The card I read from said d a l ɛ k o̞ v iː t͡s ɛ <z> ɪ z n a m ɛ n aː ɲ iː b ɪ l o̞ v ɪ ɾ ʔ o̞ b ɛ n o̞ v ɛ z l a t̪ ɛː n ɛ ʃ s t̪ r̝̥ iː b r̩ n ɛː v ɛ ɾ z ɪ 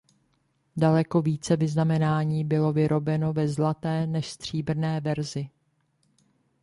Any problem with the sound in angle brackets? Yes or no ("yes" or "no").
yes